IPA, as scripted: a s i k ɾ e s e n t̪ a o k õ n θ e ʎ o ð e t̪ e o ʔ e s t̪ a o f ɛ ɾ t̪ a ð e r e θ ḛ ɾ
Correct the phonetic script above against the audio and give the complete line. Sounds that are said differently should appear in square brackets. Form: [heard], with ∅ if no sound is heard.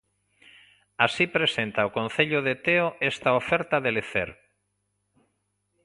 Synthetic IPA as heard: a s i [p] ɾ e s e n t̪ a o k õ n θ e ʎ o ð e t̪ e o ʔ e s t̪ a o f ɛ ɾ t̪ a ð e [l] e θ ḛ ɾ